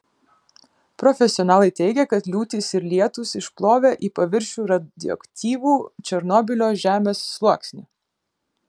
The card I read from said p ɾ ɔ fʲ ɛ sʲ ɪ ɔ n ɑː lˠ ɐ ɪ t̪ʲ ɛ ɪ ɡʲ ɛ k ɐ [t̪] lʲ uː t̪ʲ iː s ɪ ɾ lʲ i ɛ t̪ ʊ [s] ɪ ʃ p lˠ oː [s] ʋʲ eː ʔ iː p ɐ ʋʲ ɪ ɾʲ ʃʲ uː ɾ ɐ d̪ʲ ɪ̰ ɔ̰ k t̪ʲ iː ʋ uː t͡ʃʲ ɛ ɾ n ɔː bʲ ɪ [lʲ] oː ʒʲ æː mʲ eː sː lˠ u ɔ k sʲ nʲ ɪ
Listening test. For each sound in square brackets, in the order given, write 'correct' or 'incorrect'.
correct, correct, incorrect: none, correct

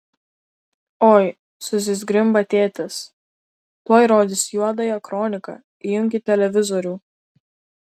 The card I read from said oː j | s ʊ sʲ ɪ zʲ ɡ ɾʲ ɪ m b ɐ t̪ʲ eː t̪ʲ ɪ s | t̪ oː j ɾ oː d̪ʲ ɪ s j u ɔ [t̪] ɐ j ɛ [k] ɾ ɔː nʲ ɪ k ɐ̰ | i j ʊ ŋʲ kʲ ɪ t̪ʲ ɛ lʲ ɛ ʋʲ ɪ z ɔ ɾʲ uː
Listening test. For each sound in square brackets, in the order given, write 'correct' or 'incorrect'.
incorrect: d̪, correct

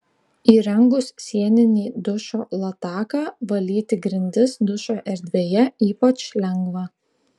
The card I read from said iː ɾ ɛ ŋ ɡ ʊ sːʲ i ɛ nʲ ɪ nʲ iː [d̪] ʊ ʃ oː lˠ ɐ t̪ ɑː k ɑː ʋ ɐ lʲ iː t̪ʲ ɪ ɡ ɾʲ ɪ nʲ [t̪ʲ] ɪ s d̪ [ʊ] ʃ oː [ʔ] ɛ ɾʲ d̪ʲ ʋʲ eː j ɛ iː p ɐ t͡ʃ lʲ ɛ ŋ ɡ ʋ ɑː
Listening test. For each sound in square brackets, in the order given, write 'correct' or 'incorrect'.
correct, incorrect: d̪ʲ, correct, correct

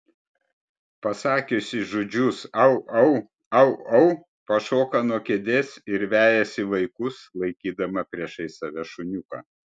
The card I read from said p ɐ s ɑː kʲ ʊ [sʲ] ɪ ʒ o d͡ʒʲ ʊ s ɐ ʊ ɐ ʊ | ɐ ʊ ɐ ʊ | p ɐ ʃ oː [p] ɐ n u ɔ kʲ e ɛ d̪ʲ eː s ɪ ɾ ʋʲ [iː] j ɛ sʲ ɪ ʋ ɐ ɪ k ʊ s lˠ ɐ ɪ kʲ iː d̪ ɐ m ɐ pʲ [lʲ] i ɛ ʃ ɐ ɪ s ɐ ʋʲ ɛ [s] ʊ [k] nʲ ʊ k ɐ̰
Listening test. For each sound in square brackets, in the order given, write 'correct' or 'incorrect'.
correct, incorrect: k, incorrect: æː, incorrect: ɾʲ, incorrect: ʃ, incorrect: none

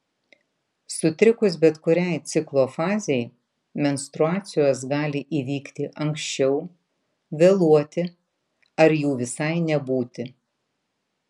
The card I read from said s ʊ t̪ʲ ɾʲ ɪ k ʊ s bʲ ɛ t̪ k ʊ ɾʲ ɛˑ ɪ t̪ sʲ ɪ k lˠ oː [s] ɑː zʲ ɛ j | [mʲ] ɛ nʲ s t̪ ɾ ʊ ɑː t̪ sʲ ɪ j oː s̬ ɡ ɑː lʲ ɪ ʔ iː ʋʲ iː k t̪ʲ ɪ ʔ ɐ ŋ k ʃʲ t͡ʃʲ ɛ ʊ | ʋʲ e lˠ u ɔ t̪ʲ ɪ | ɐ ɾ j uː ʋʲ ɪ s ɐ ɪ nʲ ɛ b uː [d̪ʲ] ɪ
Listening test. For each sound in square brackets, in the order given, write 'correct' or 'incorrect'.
incorrect: f, correct, incorrect: t̪ʲ

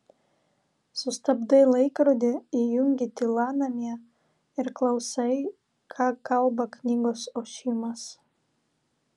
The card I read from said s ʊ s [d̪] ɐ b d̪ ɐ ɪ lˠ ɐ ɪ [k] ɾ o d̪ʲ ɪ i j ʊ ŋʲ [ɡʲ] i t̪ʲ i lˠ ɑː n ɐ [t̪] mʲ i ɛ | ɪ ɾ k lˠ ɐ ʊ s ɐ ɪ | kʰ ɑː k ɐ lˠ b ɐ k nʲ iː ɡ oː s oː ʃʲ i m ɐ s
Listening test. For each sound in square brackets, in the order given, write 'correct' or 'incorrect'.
incorrect: t̪, correct, correct, incorrect: none

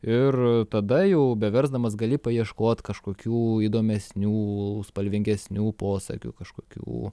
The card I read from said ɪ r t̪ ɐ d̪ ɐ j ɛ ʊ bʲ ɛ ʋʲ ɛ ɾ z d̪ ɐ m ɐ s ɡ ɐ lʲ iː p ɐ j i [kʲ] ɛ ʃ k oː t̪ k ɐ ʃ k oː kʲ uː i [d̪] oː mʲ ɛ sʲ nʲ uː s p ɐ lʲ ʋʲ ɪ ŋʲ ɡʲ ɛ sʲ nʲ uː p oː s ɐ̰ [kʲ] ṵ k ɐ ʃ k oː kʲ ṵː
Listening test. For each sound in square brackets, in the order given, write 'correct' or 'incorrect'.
incorrect: none, correct, correct

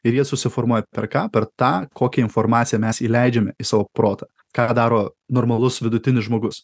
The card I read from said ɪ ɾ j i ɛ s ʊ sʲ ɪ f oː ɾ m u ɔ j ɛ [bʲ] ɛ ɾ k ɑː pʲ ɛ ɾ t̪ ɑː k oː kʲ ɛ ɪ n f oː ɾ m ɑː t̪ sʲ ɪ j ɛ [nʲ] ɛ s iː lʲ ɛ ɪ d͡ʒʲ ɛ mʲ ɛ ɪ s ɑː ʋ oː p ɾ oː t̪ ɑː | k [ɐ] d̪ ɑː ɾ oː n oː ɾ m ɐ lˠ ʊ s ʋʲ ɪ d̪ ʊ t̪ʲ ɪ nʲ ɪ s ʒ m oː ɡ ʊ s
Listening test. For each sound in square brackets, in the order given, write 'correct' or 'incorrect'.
incorrect: pʲ, incorrect: mʲ, incorrect: ɑ

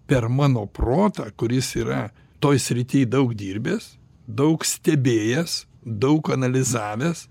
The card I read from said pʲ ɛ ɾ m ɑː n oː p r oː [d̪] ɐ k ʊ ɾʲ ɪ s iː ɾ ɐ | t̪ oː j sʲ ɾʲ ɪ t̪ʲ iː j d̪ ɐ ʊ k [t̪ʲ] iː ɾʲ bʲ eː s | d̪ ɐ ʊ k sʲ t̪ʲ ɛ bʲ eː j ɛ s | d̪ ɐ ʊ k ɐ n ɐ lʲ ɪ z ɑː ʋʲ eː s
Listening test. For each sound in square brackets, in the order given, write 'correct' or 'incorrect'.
incorrect: t̪, incorrect: d̪ʲ

